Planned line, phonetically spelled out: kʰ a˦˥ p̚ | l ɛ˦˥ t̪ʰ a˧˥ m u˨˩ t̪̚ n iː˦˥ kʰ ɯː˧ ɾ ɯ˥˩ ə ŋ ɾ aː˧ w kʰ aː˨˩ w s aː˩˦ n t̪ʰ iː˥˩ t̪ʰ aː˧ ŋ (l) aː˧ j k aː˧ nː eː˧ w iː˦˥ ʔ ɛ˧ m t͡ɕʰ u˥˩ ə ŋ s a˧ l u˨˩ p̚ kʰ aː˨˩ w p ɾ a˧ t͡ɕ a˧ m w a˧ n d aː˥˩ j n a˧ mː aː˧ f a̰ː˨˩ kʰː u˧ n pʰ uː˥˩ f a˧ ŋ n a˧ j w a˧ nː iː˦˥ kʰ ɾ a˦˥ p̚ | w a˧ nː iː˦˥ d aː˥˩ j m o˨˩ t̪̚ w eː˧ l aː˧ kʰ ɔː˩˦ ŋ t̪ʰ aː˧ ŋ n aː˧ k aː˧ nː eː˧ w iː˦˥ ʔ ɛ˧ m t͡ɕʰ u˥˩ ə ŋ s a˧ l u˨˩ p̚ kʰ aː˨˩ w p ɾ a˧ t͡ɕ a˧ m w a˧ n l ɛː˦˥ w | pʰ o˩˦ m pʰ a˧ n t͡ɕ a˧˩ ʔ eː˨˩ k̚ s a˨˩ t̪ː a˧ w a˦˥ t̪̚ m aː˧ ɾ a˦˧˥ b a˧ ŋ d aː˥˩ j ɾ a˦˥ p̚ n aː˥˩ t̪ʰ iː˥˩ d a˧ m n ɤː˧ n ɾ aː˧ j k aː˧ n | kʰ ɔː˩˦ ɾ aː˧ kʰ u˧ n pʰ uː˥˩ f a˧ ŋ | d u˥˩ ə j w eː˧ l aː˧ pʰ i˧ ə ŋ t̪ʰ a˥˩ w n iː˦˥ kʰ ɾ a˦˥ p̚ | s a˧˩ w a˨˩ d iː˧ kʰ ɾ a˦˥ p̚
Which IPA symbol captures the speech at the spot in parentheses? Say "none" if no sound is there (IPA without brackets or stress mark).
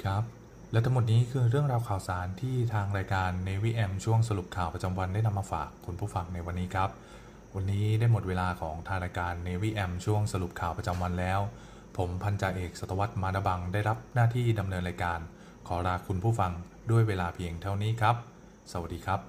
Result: ɾ